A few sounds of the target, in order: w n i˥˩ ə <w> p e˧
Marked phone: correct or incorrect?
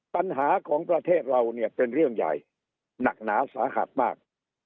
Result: incorrect: none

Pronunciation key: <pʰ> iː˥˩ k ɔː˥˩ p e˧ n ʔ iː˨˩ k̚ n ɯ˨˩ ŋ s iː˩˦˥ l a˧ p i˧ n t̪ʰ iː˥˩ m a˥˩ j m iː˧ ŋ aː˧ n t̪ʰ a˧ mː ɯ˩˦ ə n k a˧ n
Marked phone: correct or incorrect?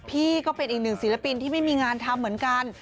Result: correct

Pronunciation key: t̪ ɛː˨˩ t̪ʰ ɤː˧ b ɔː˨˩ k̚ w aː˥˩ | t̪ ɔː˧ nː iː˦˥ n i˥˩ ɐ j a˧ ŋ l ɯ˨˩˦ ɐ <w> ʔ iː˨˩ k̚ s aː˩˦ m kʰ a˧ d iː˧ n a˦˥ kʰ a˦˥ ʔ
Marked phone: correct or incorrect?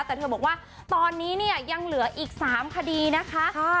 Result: incorrect: none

